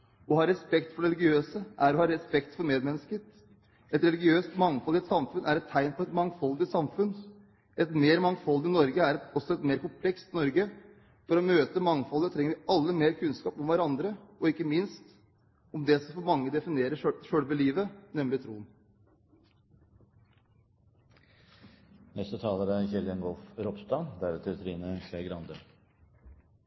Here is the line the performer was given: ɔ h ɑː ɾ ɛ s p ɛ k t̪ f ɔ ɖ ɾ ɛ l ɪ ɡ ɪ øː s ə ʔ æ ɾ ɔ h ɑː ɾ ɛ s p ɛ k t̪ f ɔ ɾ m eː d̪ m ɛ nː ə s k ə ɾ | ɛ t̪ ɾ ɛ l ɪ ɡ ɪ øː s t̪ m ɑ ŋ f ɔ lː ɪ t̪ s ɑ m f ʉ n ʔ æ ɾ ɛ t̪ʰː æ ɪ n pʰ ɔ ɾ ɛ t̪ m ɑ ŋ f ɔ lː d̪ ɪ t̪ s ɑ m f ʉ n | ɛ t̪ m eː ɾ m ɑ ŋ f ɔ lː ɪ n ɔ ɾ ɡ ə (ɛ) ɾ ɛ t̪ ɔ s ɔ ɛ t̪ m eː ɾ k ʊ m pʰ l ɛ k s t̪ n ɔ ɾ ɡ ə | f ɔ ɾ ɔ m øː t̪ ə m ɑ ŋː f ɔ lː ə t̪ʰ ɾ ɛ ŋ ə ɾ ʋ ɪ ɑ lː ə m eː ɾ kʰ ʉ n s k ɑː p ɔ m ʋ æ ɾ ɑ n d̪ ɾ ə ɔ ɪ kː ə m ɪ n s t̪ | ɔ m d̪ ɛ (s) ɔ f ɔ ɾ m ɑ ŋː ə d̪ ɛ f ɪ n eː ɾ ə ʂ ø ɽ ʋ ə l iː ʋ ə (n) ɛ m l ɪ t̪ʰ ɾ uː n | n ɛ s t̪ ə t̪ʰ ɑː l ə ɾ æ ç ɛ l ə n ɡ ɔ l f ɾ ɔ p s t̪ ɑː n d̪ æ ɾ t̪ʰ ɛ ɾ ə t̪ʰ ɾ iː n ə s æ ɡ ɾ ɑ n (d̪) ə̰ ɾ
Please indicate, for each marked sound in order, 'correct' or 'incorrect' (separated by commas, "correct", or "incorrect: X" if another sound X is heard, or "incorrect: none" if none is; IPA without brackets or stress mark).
incorrect: æ, correct, correct, correct